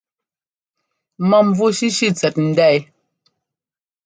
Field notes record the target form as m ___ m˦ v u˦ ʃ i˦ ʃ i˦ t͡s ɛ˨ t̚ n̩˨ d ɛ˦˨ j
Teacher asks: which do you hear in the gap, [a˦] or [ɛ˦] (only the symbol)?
a˦